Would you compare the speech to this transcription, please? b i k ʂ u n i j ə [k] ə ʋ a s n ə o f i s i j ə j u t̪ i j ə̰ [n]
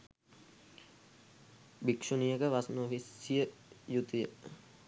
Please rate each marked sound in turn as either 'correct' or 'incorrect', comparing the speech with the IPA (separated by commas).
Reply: correct, incorrect